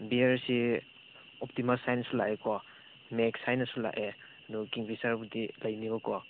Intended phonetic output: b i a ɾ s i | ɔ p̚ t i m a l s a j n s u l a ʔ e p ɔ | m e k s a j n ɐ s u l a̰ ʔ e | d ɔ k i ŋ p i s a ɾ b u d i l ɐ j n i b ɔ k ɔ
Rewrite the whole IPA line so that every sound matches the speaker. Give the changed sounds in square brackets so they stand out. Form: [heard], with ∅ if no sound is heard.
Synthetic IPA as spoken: b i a ɾ s i | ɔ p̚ t i m a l s a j n s u l a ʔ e [k] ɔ | m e k s a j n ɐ s u l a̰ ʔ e | d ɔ k i ŋ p i s a ɾ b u d i l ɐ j n i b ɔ k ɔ